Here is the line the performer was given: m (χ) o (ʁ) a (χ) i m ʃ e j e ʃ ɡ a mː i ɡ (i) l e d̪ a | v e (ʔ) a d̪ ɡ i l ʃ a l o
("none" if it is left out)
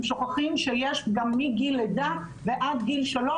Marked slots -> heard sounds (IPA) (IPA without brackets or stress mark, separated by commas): ʃ, χ, χ, i, ʔ